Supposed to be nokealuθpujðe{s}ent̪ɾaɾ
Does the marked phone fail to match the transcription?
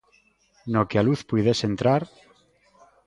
no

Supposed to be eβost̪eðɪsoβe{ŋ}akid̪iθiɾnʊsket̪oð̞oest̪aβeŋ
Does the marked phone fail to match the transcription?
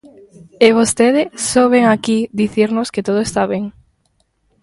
no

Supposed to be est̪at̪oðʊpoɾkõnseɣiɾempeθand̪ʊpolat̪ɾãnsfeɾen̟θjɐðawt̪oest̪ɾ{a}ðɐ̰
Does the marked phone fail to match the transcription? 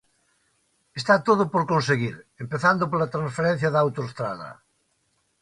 no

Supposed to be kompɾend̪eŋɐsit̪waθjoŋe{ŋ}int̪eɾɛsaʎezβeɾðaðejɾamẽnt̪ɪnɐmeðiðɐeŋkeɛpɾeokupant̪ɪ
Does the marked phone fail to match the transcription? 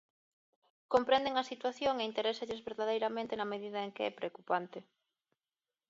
yes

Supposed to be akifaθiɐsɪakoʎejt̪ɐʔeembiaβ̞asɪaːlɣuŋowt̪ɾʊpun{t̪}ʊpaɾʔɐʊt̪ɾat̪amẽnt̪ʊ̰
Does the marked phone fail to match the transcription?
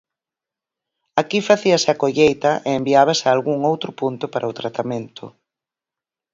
no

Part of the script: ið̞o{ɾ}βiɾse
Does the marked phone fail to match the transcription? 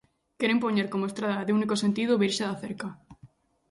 yes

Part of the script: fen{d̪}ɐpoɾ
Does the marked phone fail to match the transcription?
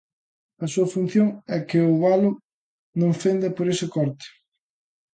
no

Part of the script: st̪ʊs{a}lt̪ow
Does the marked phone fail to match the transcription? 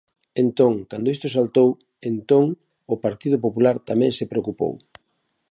no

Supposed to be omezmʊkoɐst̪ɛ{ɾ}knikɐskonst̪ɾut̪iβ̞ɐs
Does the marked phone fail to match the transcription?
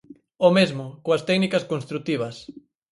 yes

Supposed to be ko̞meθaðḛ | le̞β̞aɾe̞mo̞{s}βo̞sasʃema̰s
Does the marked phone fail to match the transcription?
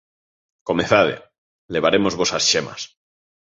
yes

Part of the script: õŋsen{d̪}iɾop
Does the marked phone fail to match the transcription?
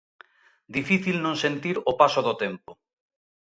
yes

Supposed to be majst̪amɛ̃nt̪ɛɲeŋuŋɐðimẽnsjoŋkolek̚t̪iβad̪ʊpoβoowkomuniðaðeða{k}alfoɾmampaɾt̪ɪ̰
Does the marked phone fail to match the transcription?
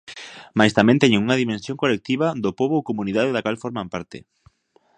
no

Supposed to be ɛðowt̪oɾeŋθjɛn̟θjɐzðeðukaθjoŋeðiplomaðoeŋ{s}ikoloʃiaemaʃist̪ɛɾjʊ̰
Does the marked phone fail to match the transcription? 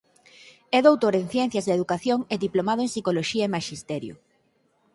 no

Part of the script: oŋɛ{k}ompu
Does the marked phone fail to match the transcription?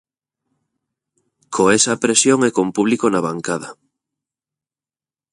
no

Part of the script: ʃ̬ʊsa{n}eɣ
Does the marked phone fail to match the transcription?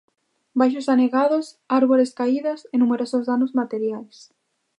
no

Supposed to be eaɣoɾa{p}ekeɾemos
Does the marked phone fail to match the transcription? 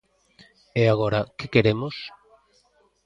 yes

